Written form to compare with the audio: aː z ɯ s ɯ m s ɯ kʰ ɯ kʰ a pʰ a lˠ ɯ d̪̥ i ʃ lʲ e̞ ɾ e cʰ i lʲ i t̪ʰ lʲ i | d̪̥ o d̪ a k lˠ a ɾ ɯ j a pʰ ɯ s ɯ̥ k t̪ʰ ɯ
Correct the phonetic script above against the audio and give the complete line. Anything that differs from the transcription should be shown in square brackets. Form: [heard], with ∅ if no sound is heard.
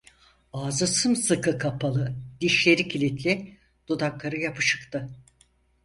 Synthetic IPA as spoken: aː z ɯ s ɯ m s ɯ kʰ ɯ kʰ a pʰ a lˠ ɯ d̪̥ i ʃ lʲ e̞ ɾ [i] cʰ i lʲ i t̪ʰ lʲ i | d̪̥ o d̪ a k lˠ a ɾ ɯ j a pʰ ɯ [ʃ] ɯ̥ k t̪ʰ ɯ